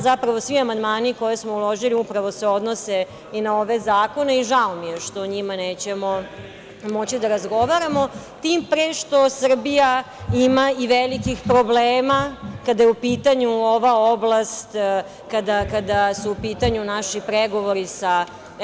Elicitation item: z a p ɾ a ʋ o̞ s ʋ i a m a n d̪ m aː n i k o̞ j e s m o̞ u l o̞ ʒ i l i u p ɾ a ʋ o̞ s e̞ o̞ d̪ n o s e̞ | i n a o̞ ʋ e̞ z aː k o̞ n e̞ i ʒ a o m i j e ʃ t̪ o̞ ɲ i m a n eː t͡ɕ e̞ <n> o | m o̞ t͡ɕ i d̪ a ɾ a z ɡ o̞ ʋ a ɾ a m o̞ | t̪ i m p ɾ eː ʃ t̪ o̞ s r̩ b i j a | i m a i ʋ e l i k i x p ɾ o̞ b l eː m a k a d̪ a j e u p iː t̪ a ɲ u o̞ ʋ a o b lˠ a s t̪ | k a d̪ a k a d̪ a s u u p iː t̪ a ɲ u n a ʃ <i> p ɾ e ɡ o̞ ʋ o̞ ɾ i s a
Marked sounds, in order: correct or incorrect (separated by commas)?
incorrect, correct